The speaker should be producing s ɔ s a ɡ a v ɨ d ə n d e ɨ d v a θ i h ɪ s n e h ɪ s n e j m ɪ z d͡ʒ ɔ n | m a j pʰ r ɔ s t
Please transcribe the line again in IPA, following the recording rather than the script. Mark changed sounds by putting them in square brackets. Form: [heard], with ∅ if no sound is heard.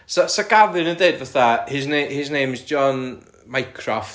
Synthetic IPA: s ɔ s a ɡ a v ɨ [n] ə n d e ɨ d v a θ [a] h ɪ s n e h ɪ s n e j m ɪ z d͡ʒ ɔ n | m a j [kʰ] r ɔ [f] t